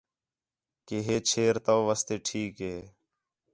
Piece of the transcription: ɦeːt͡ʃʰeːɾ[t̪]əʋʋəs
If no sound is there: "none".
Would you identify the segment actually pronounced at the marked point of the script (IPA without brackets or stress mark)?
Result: t̪